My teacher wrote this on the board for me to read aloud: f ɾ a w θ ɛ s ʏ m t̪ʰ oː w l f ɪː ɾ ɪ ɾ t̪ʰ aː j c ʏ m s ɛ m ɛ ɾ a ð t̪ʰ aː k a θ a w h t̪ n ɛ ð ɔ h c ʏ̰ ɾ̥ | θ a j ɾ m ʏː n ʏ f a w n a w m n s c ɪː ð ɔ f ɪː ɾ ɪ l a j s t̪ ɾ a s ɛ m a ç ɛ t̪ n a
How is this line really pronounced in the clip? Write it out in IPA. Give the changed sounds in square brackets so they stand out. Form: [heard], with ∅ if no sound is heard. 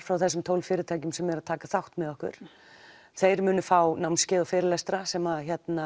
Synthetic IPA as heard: f ɾ a w θ ɛ s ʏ m t̪ʰ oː w l f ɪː ɾ ɪ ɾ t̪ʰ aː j c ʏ m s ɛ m ɛ ɾ a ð t̪ʰ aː k a θ a w h t̪ [m] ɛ ð ɔ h [k] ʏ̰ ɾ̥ | θ [e] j ɾ m ʏː n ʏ f a w n a w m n s c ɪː ð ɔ f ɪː ɾ ɪ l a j s t̪ ɾ a s ɛ m a ç ɛ t̪ n a

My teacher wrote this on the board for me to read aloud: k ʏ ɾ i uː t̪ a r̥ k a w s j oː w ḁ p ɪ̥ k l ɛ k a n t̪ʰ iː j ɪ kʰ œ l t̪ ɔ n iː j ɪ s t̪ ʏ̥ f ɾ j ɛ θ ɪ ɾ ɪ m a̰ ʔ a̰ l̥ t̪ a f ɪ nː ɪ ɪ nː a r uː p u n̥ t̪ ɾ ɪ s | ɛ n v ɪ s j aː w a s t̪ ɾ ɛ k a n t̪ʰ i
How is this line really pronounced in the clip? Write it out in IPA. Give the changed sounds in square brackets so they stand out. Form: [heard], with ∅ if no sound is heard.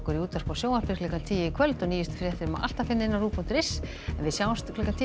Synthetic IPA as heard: k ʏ ɾ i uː t̪ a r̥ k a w s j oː w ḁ p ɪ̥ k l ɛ k a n t̪ʰ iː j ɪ kʰ œ l t̪ ɔ n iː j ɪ s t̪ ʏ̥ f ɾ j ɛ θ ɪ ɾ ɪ m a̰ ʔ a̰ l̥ t̪ a f ɪ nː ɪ ɪ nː a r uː p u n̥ t̪ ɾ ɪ s | ɛ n v ɪ s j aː w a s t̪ [l] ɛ k a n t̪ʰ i

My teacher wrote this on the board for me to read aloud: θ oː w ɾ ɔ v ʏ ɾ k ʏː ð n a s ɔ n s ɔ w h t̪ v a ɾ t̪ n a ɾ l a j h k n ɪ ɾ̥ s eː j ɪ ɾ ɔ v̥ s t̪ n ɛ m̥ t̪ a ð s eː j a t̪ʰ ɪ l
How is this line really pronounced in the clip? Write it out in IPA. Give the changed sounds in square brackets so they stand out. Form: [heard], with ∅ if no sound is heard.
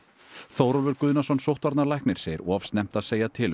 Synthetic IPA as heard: θ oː w ɾ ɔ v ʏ ɾ k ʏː ð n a s ɔ n s [o] w h t̪ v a ɾ t̪ n a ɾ l a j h k n ɪ ɾ̥ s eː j ɪ ɾ ɔ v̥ s t̪ n ɛ m̥ t̪ a ð s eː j a t̪ʰ ɪ l

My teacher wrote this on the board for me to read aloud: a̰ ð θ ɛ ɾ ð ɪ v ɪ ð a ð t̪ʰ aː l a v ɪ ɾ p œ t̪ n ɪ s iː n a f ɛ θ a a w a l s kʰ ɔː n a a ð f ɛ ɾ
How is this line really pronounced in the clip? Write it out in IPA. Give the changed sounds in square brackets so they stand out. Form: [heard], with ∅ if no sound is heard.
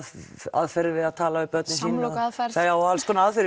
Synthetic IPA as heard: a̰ ð [f] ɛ ɾ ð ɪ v ɪ ð a ð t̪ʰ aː l a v ɪ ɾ p œ t̪ n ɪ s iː n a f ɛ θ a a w a l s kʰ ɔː n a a ð f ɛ ɾ

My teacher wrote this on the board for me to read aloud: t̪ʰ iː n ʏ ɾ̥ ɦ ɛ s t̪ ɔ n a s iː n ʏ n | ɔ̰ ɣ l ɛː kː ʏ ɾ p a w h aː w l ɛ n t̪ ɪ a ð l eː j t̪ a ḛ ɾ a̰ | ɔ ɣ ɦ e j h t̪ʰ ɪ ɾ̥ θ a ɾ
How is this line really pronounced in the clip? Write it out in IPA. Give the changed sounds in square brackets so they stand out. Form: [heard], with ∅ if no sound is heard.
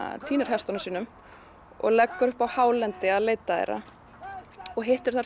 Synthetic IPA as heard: t̪ʰ iː n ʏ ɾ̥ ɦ ɛ s t̪ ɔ n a s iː n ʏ [m] | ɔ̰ ɣ l [ɛ] kː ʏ ɾ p a w h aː w l ɛ n t̪ ɪ a ð l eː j t̪ a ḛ ɾ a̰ | ɔ ɣ ɦ e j h [t̪] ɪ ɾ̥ θ a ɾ

